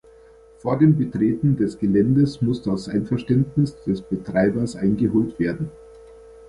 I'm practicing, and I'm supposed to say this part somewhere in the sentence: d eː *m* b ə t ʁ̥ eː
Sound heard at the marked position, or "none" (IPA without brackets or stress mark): m